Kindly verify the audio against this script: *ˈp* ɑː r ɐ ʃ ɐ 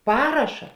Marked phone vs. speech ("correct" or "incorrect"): correct